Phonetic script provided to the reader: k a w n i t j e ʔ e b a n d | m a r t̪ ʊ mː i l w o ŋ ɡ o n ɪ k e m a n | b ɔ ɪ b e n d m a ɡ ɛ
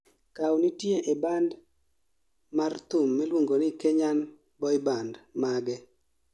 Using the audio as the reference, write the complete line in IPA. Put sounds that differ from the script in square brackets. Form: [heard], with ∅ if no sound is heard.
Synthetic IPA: k a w n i t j e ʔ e b a n d | m a r t̪ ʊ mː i l w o ŋ ɡ o n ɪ k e [ɲ] a n | b ɔ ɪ b [a] n d m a ɡ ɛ